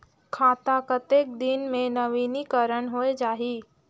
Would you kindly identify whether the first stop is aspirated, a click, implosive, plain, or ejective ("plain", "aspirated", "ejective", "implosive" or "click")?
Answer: aspirated